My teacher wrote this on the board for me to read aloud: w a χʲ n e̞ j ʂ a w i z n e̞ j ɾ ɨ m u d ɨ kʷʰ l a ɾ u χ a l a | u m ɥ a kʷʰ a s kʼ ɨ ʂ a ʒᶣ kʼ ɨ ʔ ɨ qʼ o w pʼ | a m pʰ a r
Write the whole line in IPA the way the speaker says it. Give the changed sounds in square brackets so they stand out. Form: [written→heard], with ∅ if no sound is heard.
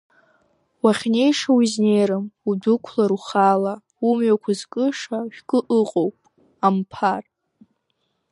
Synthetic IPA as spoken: w a χʲ n e̞ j ʂ a w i z n e̞ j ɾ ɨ m u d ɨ kʷʰ l a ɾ u χ a l a | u m ɥ a kʷʰ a [s→z] kʼ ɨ ʂ a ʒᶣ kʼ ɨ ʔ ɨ qʼ o w pʼ | a m pʰ a r